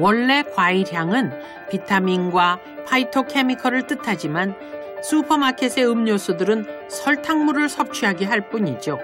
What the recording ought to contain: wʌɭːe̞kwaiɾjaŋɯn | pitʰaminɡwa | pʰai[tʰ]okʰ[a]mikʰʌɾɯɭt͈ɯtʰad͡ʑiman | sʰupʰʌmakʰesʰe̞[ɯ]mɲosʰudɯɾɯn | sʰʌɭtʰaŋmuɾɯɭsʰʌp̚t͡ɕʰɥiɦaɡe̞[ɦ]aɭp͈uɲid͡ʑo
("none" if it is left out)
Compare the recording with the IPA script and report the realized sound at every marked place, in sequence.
tʰ, e, ɯ, ɦ

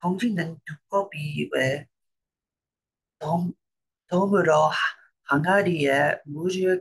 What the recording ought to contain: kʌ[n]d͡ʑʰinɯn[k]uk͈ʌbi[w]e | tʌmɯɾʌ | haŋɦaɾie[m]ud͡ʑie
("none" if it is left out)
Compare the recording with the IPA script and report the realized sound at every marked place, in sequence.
ŋ, t, w, m

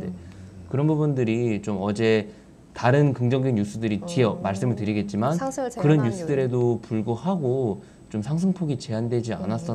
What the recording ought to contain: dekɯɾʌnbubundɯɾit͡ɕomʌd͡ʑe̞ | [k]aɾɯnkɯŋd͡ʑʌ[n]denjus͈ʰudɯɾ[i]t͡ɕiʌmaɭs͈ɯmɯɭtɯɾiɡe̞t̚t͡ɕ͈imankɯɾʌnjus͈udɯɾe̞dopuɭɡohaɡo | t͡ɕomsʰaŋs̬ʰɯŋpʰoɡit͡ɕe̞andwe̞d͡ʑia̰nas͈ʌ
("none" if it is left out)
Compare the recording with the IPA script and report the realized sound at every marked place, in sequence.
t, ŋ, i

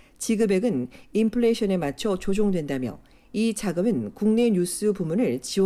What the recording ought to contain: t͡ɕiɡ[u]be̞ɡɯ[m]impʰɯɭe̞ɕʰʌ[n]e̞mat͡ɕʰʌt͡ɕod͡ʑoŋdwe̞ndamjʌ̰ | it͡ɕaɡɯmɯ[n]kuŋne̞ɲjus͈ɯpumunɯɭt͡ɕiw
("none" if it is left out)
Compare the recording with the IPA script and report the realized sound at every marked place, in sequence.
ɯ, n, n, n

